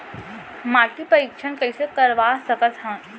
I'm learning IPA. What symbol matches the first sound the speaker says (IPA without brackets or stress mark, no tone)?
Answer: m